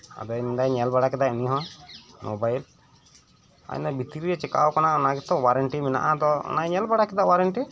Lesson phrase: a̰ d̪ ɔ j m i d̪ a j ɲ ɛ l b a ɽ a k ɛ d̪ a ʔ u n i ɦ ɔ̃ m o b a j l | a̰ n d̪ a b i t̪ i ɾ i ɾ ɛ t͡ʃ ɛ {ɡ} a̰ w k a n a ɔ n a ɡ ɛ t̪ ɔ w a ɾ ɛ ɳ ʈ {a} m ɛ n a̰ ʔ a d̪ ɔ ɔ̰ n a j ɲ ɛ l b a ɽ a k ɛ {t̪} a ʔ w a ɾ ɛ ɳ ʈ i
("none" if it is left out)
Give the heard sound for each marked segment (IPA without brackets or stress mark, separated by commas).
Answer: k, i, d̪